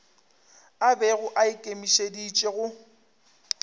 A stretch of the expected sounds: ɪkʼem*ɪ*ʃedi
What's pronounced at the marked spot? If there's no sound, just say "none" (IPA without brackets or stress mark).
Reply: i